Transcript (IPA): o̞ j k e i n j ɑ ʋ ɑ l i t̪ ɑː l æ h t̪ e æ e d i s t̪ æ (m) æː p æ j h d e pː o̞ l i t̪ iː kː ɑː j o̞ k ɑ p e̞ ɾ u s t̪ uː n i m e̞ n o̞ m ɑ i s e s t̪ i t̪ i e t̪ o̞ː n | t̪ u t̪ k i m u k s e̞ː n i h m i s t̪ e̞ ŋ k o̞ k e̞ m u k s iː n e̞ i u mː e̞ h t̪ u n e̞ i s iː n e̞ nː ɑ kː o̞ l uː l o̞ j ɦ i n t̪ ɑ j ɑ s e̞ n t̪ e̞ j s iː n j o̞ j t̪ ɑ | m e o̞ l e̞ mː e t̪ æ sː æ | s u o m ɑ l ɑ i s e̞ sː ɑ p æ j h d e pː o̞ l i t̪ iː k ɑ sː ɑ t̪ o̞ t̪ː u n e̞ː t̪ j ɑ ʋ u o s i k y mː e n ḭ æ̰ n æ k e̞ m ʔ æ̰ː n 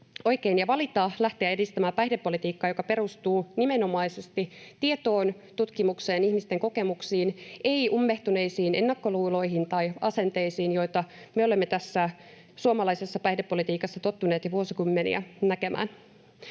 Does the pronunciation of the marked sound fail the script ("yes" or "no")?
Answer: no